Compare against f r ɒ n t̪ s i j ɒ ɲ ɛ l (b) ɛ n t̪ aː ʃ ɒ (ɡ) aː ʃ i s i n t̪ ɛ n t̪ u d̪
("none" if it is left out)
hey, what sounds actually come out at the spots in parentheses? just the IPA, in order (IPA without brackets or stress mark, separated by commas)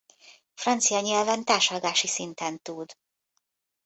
v, ɡ